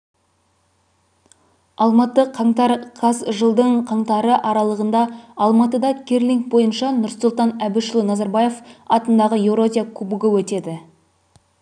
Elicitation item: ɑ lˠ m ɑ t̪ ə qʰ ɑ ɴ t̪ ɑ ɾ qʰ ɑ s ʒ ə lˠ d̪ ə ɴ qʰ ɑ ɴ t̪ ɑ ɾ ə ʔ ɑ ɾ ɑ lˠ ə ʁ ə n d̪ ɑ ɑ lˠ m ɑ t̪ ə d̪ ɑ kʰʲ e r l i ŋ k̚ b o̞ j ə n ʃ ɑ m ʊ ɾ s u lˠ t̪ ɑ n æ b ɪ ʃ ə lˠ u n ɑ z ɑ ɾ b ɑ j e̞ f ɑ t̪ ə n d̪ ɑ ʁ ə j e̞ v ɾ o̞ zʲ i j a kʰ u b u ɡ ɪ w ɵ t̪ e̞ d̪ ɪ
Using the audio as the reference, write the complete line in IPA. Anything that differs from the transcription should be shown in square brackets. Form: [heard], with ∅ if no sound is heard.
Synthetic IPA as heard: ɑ lˠ m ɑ t̪ ə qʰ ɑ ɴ t̪ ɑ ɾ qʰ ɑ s ʒ ə lˠ d̪ ə ɴ qʰ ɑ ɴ t̪ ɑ ɾ ə ʔ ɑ ɾ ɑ lˠ ə ʁ ə n d̪ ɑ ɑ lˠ m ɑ t̪ ə d̪ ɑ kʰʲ e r l i ŋ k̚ b o̞ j ə n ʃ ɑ [n] ʊ ɾ s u lˠ t̪ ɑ n æ b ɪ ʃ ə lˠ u n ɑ z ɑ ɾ b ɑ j e̞ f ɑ t̪ ə n d̪ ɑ ʁ ə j e̞ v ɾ o̞ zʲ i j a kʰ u b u ɡ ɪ w ɵ t̪ e̞ d̪ ɪ